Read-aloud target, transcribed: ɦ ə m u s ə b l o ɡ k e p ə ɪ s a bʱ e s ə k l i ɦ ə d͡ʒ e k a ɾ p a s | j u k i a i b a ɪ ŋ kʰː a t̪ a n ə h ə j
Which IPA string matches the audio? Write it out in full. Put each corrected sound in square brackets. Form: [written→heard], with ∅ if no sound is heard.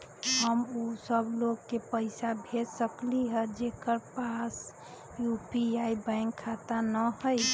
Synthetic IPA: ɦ ə m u s ə b l o ɡ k e p ə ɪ s a bʱ e s ə k l i ɦ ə d͡ʒ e k [a→ə] ɾ p a s | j u [k→p] i a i b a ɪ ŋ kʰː a t̪ a n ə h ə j